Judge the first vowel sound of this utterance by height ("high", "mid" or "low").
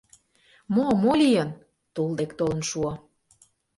mid